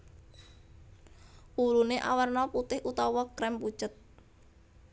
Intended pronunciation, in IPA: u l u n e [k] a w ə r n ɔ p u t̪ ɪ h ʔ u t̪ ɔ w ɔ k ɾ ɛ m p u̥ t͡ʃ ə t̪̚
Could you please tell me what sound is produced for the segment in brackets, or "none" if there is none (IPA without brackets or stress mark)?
ʔ